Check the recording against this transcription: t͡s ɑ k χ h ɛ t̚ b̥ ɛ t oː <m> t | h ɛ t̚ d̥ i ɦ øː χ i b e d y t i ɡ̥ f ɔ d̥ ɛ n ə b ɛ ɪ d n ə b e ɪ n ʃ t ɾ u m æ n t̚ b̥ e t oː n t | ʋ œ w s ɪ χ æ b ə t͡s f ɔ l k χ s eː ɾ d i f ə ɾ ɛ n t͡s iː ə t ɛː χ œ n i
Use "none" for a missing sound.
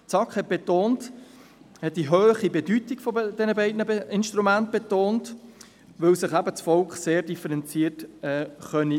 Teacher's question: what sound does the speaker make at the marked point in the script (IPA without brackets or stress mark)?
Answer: n